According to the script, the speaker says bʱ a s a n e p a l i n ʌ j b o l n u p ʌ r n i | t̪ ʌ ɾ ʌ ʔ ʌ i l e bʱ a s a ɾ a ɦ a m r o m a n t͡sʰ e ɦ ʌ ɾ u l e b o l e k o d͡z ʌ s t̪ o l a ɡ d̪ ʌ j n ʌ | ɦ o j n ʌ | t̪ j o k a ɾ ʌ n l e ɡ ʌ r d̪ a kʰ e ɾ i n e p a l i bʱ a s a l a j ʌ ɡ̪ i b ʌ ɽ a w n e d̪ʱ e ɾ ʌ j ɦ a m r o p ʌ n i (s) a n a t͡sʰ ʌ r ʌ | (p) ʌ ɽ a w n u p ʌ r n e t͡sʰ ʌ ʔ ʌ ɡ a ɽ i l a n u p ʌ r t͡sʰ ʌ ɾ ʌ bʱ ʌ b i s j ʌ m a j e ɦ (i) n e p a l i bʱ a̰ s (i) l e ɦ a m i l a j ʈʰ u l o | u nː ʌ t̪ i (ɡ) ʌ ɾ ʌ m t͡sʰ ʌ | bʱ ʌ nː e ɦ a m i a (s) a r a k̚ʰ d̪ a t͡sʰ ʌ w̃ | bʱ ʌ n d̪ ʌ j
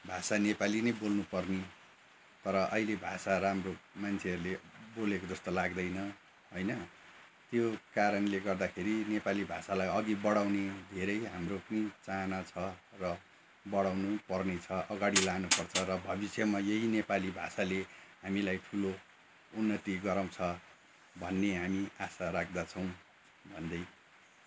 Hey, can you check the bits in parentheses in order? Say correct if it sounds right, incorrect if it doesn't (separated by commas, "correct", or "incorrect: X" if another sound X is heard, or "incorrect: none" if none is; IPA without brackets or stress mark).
incorrect: t͡s, incorrect: b, correct, incorrect: a, correct, correct